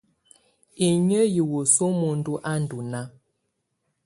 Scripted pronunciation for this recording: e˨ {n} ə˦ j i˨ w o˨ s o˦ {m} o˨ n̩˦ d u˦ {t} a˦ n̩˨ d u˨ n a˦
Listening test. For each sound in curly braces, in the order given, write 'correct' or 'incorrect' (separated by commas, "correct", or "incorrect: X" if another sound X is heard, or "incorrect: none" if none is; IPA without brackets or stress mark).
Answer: incorrect: ɲ, correct, incorrect: ʔ